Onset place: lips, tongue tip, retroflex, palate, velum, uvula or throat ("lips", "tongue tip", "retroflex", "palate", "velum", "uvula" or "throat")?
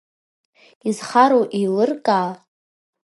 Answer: tongue tip